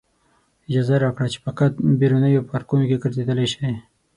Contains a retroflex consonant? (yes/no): yes